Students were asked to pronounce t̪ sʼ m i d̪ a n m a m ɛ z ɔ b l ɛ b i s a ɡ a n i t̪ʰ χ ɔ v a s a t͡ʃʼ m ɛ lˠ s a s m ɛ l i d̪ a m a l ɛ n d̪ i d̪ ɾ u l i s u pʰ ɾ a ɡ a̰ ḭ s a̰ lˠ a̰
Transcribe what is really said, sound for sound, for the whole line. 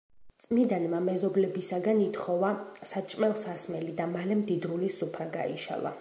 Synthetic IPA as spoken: t̪ sʼ m i d̪ a n m a m ɛ z ɔ b l ɛ b i s a ɡ a n i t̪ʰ χ ɔ v a s a t͡ʃʼ m ɛ lˠ s a s m ɛ l i d̪ a m a l ɛ m d̪ i d̪ ɾ u l i s u pʰ ɾ a ɡ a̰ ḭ ʃ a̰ lˠ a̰